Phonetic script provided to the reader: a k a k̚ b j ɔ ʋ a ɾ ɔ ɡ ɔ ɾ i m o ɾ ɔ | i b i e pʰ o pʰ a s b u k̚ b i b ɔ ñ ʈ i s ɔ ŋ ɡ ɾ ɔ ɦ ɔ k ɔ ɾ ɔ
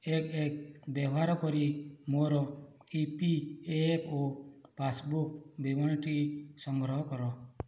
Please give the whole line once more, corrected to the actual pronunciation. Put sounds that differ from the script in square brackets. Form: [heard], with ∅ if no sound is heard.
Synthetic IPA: [e] k [e] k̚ b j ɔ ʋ a ɾ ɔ [k] ɔ ɾ i m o ɾ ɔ | i [p] i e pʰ o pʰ a s b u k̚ b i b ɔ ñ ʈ i s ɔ ŋ ɡ ɾ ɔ ɦ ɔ k ɔ ɾ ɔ